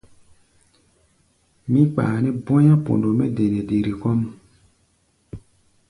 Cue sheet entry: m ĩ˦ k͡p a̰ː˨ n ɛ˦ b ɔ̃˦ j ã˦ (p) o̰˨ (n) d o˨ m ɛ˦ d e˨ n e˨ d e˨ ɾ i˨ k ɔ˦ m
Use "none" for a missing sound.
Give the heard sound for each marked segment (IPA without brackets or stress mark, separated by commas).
p, n